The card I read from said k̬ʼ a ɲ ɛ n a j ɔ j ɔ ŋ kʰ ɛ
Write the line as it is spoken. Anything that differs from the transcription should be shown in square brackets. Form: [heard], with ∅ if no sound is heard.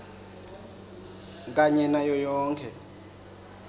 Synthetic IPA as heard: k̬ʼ a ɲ ɛ n a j ɔ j [ɔː] ŋ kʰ ɛ